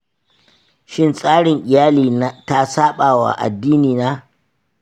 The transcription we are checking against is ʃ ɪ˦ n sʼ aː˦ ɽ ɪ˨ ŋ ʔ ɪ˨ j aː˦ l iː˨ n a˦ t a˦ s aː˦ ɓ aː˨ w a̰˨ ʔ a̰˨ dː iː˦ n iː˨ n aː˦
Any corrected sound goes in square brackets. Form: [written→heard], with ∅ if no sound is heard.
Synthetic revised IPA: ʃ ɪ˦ n sʼ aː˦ ɽ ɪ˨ ŋ ʔ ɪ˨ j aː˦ l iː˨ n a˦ t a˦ s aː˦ ɓ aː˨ w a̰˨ ʔ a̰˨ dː iː˦ n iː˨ n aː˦